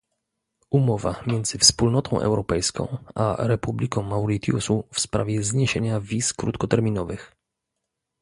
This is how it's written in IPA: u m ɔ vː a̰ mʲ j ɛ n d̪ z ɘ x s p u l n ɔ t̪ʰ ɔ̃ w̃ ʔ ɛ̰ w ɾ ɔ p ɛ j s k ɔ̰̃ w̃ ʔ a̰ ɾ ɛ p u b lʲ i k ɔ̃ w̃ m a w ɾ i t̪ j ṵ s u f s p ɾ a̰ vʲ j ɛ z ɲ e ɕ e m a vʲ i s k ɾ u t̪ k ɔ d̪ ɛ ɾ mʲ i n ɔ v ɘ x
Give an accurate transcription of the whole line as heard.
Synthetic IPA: u m ɔ v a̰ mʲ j ɛ n d̪ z ɘ f s p u l n ɔ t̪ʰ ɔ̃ w̃ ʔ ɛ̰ w ɾ ɔ p ɛ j s k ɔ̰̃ w̃ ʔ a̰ ɾ ɛ p u b lʲ i k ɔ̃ w̃ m a w ɾ i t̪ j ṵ s u f s p ɾ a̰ vʲ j ɛ z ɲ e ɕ e ɲ a vʲ i s k ɾ u t̪ k ɔ t̪ ɛ ɾ mʲ i n ɔ v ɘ x

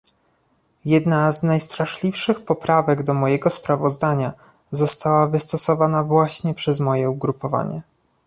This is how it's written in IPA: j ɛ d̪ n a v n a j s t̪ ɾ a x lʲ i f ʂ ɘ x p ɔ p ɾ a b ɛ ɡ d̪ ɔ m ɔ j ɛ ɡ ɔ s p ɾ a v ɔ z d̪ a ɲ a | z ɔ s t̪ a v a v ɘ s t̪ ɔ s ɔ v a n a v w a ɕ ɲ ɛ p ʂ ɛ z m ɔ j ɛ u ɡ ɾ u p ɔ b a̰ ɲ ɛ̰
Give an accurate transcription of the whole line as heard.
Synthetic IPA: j ɛ d̪ n a z n a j s t̪ ɾ a ʂ lʲ i f ʂ ɘ x p ɔ p ɾ a v ɛ ɡ d̪ ɔ m ɔ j ɛ ɡ ɔ s p ɾ a v ɔ z d̪ a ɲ a | z ɔ s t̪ a w a v ɘ s t̪ ɔ s ɔ v a n a v w a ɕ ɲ ɛ p ʂ ɛ z m ɔ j ɛ u ɡ ɾ u p ɔ v a̰ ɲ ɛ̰

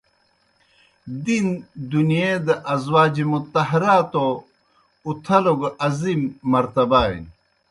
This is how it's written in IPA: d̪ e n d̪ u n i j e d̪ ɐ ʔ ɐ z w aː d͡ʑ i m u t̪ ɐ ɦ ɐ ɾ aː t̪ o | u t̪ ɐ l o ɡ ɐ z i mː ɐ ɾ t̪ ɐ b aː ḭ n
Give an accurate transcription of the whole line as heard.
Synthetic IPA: d̪ i n d̪ u n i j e d̪ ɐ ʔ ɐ z w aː d͡ʑ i m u t̪ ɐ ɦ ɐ ɾ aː t̪ o | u t̪ʰ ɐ l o ɡ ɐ z i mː ɐ ɾ t̪ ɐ b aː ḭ n

